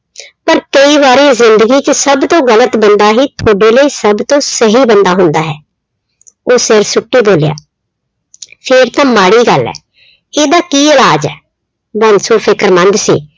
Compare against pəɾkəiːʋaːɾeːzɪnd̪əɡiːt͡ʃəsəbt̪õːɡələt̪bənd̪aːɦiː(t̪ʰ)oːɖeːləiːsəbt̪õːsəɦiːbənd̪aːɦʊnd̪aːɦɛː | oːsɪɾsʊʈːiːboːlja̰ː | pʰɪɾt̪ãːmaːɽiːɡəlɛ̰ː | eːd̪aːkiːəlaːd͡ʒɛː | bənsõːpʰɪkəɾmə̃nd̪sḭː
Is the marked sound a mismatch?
no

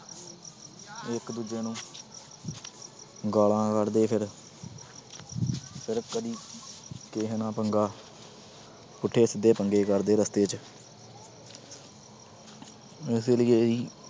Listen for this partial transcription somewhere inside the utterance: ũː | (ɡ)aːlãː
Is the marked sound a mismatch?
no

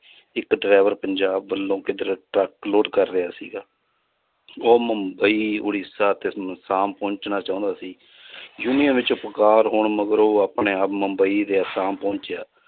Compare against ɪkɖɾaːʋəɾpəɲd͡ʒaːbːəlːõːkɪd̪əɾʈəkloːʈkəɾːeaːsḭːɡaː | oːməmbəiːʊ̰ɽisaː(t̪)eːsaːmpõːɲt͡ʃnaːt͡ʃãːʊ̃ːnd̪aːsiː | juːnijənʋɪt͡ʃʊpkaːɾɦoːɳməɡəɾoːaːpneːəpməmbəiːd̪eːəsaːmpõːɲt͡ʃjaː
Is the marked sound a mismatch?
no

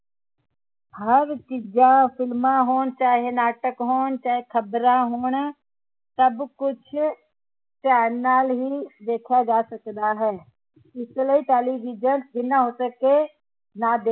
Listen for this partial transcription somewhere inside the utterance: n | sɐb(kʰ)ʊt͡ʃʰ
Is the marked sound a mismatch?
yes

